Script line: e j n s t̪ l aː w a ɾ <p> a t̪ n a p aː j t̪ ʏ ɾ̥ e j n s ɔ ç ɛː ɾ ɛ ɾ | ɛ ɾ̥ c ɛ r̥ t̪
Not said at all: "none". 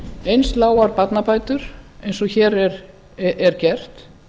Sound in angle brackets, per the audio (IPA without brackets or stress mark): p